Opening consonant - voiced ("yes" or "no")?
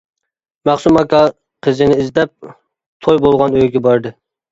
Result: yes